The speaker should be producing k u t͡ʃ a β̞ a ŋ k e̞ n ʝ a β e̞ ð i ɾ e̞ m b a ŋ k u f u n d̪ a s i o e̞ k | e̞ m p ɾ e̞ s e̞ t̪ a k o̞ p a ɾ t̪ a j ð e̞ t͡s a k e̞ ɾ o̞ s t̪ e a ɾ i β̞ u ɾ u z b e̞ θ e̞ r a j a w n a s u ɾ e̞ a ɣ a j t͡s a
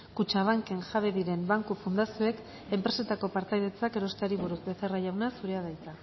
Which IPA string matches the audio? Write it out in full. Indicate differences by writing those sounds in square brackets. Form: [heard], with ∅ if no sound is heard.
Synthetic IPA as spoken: k u t͡ʃ a β̞ a ŋ k e̞ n ʝ a β e̞ ð i ɾ e̞ m b a ŋ k u f u n d̪ a s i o e̞ k | e̞ m p ɾ e̞ s e̞ t̪ a k o̞ p a ɾ t̪ a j ð e̞ t͡s a k e̞ ɾ o̞ s t̪ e a ɾ i β̞ u ɾ u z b e̞ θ e̞ r a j a w n a s u ɾ e̞ a [ð] a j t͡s a